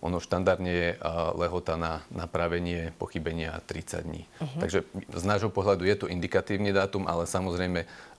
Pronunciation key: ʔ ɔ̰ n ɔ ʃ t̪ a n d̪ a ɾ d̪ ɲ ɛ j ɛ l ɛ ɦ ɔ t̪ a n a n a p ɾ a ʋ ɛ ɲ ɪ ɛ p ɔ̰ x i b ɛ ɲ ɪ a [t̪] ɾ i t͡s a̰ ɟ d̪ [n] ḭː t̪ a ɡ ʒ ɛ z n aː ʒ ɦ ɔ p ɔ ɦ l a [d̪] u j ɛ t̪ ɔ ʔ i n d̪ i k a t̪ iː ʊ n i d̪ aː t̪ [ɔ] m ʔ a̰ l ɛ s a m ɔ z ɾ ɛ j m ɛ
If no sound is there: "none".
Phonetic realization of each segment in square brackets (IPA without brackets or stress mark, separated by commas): t̪, ɲ, d̪, u